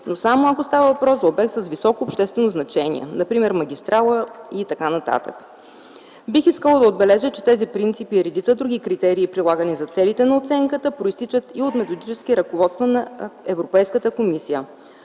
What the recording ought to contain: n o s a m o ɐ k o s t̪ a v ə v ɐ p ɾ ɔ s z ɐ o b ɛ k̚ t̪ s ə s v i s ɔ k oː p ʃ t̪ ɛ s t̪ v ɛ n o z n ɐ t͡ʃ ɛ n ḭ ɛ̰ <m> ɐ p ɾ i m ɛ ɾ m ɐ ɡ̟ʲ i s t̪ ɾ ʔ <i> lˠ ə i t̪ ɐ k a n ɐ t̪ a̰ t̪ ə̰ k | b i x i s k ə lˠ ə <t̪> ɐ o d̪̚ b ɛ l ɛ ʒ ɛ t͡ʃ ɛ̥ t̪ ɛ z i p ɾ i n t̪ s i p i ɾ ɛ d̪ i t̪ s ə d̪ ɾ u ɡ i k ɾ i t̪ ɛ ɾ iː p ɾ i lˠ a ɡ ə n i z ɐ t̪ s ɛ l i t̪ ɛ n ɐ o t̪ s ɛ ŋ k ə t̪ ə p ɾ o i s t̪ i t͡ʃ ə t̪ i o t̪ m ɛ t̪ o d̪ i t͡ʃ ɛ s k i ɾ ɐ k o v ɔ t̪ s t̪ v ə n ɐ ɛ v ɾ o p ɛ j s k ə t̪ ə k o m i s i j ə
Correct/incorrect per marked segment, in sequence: incorrect: n, incorrect: a, incorrect: d̪

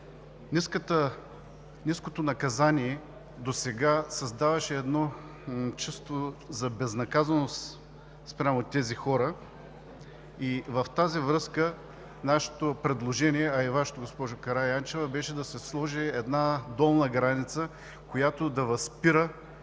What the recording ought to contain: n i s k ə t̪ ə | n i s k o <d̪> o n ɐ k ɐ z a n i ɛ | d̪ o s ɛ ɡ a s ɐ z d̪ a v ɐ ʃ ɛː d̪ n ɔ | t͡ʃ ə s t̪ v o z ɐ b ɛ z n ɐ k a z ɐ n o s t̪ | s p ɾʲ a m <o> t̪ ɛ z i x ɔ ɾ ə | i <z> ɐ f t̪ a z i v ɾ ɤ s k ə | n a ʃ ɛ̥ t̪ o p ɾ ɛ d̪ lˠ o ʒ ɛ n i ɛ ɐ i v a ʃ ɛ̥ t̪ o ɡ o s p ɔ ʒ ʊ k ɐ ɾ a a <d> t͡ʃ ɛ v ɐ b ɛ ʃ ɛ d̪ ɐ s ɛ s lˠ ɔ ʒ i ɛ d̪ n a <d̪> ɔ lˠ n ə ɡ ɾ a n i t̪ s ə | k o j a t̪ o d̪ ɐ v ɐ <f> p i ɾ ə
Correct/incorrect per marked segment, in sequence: incorrect: t̪, correct, incorrect: v, incorrect: n, correct, incorrect: s

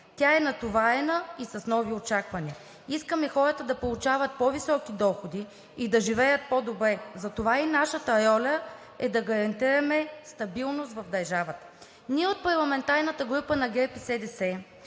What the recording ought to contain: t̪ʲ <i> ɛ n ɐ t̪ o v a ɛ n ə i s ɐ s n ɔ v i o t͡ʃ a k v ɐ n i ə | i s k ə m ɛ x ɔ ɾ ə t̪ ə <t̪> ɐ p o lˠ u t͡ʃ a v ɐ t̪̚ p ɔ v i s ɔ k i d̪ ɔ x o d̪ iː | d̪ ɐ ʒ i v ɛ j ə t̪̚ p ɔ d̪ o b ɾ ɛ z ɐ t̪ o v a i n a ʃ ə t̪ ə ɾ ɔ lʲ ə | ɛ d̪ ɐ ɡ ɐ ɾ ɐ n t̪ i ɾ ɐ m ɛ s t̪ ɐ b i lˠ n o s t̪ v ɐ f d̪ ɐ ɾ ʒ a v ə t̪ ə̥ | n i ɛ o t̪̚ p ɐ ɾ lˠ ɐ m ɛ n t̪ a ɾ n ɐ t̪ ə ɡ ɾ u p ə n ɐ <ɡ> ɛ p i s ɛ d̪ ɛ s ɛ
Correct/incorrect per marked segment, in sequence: incorrect: a, incorrect: d̪, correct

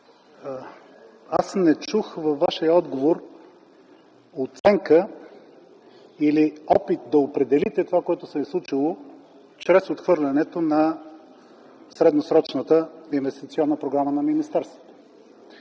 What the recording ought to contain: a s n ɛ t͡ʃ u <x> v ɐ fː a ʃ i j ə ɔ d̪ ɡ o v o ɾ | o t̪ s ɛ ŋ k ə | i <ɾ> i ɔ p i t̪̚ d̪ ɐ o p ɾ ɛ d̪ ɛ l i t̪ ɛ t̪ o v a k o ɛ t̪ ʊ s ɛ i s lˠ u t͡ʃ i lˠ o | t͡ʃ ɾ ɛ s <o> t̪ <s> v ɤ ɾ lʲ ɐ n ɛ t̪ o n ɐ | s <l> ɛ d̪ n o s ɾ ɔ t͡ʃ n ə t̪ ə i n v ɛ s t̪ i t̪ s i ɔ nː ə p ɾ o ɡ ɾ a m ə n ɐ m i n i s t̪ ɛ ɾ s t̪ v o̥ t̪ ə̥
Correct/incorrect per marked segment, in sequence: correct, incorrect: l, correct, incorrect: x, incorrect: ɾ

